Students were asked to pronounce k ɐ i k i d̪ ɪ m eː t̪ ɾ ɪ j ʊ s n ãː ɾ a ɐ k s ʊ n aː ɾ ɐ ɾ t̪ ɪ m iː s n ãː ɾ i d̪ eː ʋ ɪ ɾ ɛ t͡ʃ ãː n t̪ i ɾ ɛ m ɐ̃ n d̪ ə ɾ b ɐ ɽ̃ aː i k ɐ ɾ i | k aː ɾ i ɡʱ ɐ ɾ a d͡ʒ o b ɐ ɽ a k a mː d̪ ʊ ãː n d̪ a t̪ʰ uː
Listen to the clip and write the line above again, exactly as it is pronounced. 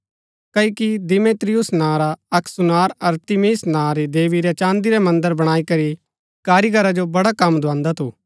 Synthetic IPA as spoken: k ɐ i k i d̪ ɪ m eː t̪ ɾ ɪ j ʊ s n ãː ɾ a ɐ k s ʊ n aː ɾ ɐ ɾ t̪ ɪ m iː s n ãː ɾ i d̪ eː ʋ i ɾ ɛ t͡ʃ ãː n d̪ i ɾ ɛ m ɐ̃ n d̪ ə ɾ b ɐ ɽ̃ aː i k ɐ ɾ i | k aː ɾ i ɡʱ ɐ ɾ a d͡ʒ o b ɐ ɽ a k ɐ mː d̪ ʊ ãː n d̪ a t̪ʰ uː